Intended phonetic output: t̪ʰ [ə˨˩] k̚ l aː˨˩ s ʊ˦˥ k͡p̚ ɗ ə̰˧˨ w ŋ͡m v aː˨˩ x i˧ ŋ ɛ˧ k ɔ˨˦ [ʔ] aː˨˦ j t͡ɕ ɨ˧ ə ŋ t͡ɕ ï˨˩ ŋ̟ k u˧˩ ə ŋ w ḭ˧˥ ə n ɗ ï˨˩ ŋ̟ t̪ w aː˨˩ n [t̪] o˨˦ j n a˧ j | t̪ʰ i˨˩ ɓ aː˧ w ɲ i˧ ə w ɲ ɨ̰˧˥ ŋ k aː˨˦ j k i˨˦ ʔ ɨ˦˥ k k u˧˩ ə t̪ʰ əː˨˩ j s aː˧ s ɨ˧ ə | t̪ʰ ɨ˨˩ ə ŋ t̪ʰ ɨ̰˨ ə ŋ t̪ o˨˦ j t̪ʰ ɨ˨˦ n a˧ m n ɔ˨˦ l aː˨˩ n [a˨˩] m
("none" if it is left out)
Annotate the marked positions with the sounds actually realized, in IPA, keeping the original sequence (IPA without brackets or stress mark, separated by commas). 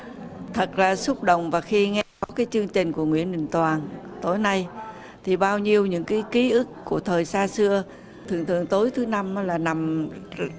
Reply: ə˨˩, k, t̪, a˨˩